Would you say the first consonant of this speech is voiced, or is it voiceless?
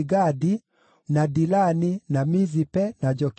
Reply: voiced